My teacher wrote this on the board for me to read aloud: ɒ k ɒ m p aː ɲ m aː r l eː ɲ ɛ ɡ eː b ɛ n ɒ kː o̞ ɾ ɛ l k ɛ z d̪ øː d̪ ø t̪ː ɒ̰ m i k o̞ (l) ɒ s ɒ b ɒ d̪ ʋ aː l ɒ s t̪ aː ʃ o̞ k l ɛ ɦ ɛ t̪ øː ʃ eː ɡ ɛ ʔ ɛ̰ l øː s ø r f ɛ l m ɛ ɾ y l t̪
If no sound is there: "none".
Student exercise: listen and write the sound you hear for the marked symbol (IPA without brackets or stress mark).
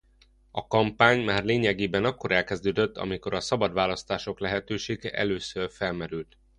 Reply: ɾ